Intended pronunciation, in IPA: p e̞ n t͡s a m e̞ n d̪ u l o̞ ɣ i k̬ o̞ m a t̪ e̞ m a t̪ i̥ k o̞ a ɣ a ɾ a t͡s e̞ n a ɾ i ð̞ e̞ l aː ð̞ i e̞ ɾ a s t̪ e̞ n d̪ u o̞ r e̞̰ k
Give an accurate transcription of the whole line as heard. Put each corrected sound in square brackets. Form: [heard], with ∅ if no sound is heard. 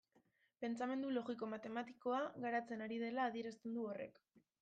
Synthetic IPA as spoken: p e̞ n t͡s a m e̞ n d̪ u l o̞ ɣ i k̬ o̞ m a t̪ e̞ m a t̪ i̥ k o̞ a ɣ a ɾ a t͡s e̞ n a ɾ i ð̞ e̞ l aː ð̞ i e̞ ɾ a s t̪ e̞ n d̪ u o̞ r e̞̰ k